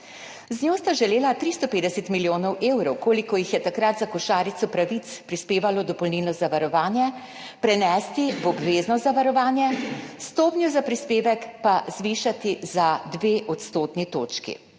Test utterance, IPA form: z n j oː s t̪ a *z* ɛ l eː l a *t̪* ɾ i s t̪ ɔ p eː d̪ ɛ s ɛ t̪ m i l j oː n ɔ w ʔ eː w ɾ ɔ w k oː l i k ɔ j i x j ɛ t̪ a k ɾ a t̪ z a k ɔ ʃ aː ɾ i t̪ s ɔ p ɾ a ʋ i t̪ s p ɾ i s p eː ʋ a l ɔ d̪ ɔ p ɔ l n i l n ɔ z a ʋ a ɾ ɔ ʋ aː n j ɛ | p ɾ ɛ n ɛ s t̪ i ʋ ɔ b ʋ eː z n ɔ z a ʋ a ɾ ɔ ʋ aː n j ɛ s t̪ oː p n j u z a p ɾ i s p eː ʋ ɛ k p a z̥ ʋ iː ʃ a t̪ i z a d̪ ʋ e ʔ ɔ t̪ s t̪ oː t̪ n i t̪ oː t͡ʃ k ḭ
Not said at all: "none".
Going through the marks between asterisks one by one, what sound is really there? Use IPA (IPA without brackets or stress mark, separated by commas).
ʒ, t̪